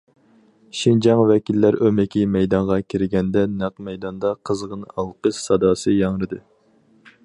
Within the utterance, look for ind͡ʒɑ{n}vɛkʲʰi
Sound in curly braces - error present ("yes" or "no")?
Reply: yes